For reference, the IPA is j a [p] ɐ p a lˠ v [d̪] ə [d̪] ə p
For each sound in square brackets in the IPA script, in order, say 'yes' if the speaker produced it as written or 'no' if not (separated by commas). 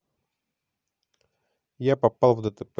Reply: yes, yes, no